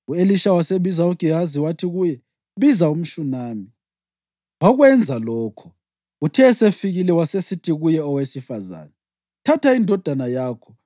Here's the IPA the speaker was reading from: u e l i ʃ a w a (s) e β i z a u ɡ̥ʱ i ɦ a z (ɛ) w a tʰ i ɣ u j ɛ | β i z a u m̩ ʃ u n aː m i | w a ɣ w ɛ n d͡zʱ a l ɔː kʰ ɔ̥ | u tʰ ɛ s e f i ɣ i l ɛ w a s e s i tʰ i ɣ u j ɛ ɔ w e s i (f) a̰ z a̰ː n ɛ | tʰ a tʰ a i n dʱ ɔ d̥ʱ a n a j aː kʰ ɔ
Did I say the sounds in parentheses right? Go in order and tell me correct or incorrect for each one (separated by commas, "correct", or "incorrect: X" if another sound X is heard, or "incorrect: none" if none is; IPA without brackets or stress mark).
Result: correct, incorrect: i, correct